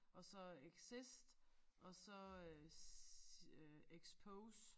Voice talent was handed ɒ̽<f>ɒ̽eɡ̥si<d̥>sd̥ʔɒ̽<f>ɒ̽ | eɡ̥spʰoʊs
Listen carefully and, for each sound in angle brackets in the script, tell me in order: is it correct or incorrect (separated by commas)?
incorrect, incorrect, incorrect